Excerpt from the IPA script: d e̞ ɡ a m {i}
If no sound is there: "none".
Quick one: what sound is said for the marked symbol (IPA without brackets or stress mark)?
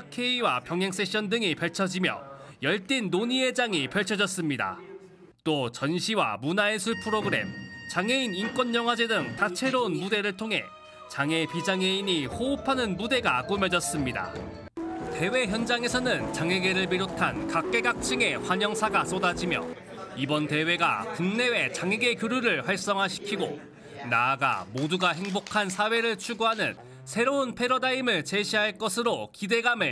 e